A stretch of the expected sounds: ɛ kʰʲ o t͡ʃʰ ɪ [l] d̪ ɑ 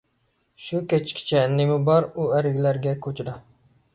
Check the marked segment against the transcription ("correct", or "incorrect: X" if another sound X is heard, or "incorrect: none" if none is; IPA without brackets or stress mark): incorrect: none